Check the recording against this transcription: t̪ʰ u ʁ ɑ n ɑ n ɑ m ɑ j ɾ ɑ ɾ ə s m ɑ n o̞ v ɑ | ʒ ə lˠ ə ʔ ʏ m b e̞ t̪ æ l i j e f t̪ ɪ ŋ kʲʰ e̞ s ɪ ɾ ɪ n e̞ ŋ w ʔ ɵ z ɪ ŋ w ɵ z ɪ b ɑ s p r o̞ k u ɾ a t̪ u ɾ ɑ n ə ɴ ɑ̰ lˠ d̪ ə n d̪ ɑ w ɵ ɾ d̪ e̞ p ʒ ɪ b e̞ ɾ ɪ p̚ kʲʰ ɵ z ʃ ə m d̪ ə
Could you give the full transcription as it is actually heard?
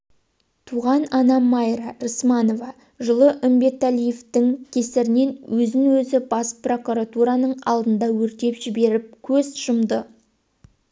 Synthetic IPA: t̪ʰ u ʁ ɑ n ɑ n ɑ m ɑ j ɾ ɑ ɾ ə s m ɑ n o̞ v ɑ | ʒ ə lˠ ə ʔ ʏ m b e̞ t̪ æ l i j e f t̪ ɪ ŋ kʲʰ e̞ s ɪ ɾ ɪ n e̞ n w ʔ ɵ z ɪ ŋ w ɵ z ɪ b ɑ s p r o̞ k u ɾ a t̪ u ɾ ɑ n ə ɴ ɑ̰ lˠ d̪ ə n d̪ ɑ w ɵ ɾ t̪ e̞ p ʒ ɪ b e̞ ɾ ɪ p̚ kʲʰ ɵ z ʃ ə m d̪ ə